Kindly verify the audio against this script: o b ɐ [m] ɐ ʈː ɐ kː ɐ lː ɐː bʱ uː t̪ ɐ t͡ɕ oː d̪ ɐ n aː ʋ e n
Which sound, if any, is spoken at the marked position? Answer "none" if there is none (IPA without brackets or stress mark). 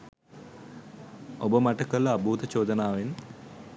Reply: m